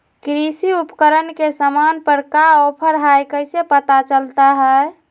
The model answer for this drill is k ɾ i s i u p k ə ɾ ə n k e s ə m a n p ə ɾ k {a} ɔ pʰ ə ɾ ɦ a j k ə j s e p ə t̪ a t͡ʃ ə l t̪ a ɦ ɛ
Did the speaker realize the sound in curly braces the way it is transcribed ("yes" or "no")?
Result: yes